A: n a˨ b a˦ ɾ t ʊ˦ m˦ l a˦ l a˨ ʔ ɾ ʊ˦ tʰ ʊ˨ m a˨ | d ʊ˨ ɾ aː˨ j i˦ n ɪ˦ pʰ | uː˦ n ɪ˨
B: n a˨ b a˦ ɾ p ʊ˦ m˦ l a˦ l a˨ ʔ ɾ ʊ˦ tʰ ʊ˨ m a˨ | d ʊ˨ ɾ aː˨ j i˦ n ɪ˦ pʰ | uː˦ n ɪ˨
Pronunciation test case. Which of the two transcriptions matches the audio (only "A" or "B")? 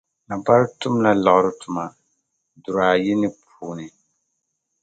A